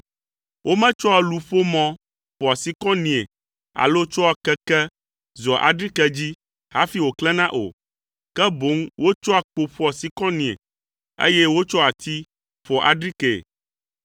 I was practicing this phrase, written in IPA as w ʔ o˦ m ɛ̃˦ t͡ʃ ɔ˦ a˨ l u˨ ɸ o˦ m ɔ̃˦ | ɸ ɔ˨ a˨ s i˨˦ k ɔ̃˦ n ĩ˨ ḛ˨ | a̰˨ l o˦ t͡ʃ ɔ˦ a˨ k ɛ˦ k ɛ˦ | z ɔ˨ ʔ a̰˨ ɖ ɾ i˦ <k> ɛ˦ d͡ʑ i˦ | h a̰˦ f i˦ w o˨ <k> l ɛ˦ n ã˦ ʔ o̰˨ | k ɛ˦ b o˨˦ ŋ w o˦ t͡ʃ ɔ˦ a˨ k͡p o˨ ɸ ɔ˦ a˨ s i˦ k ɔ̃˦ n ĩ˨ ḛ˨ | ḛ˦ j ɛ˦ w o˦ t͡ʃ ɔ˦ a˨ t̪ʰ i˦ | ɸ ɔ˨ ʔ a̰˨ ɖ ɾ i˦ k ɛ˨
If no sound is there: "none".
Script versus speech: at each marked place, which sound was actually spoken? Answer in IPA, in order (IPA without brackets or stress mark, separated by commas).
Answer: k, k